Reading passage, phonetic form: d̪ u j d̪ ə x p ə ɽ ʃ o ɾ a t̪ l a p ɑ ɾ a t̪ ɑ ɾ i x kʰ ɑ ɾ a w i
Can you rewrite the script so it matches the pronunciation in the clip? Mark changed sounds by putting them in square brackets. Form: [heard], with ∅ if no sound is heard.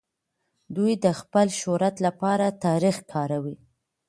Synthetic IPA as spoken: d̪ u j d̪ ə x p ə [l] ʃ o ɾ a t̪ l a p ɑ ɾ a t̪ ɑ ɾ i x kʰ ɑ ɾ a w i